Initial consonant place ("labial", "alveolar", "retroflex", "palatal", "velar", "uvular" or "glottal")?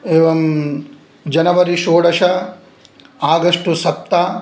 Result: labial